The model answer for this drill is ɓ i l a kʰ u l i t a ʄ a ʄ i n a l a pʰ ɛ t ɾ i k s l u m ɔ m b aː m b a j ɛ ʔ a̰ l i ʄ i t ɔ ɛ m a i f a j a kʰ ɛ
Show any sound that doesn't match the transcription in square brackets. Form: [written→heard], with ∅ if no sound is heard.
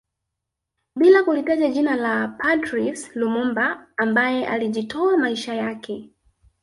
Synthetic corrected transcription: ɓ i l a [kʰ→k] u l i t a ʄ a ʄ i n a l a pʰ [ɛ→a] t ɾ i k s l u m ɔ m b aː m b a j ɛ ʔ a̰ l i ʄ i t ɔ [ɛ→a] m a i [f→ʃ] a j a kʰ ɛ